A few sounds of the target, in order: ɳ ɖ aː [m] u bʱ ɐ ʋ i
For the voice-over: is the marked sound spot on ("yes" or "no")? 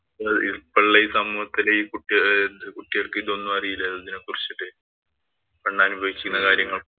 no